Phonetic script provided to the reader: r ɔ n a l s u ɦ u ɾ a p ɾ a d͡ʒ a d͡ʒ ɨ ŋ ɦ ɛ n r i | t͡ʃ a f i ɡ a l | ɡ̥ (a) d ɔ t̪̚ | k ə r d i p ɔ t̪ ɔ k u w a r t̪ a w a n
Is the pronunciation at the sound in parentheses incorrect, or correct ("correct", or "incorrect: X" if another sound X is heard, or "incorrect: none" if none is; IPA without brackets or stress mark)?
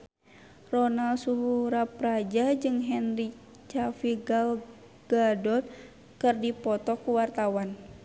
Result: correct